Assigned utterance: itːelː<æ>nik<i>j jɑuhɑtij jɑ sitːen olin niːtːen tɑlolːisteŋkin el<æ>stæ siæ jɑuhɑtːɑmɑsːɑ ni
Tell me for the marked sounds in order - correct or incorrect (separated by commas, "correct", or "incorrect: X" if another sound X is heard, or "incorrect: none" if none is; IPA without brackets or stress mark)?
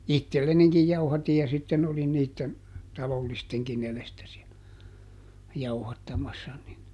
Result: incorrect: e, correct, incorrect: e